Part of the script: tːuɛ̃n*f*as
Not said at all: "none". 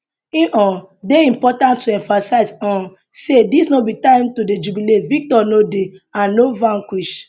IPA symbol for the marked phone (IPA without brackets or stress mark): f